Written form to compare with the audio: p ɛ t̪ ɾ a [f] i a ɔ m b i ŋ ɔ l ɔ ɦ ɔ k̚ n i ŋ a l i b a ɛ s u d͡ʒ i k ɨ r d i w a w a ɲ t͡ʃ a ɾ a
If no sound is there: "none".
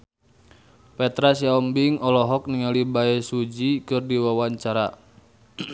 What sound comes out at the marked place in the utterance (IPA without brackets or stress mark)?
s